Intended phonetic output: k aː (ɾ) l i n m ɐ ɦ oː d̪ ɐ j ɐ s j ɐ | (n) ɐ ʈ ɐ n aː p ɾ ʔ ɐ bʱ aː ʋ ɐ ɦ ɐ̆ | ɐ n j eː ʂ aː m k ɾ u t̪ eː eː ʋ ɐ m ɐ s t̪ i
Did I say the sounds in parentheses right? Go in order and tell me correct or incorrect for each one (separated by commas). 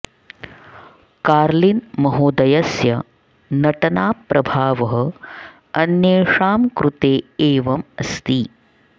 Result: correct, correct